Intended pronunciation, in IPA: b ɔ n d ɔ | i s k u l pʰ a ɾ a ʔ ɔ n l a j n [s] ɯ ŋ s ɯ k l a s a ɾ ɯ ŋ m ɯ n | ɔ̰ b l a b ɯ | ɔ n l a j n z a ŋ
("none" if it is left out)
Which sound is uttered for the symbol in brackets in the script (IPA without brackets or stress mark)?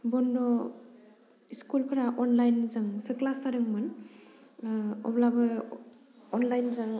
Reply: z